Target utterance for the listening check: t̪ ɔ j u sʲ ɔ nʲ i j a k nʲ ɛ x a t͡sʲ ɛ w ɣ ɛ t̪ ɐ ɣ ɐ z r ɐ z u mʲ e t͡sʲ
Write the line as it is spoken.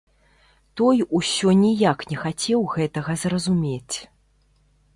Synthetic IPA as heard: t̪ ɔ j u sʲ ɔ nʲ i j a k nʲ ɛ x a t͡sʲ ɛ w ɣ ɛ t̪ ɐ ɣ ɐ z r ɐ z u mʲ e t͡sʲ